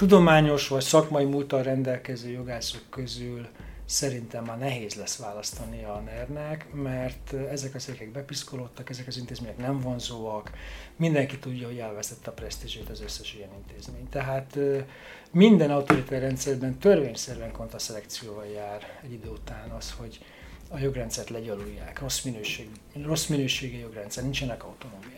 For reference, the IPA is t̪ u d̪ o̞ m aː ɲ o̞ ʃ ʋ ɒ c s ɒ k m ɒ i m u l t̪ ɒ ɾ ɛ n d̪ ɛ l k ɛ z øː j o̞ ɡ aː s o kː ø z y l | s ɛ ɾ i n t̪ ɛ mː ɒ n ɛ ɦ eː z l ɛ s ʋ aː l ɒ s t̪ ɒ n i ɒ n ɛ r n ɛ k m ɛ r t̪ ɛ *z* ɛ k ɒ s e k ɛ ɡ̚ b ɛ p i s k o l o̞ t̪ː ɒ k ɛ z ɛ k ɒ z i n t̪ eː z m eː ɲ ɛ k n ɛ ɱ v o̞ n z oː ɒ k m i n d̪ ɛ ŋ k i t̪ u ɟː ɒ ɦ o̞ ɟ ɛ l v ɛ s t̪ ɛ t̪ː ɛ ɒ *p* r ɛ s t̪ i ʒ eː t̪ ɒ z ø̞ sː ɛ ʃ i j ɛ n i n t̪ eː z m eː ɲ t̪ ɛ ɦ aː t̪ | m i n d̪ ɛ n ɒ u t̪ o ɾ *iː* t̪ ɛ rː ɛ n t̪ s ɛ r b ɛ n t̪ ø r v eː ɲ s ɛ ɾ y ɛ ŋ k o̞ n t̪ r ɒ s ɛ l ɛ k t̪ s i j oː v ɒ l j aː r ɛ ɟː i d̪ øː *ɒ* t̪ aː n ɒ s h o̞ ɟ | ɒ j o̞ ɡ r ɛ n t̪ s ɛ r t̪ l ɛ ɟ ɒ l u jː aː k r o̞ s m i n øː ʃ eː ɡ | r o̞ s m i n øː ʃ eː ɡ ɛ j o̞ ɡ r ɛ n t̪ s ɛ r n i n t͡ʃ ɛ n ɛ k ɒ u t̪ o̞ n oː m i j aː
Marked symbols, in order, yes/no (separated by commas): yes, yes, no, no